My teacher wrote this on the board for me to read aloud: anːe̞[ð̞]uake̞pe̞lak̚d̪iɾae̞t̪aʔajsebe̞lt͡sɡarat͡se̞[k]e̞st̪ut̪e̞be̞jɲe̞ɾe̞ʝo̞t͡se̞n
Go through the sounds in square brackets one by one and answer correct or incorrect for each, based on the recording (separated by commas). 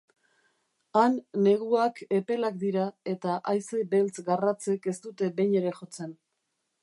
incorrect, correct